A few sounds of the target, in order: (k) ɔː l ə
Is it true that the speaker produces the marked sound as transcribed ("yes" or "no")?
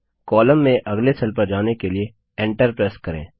yes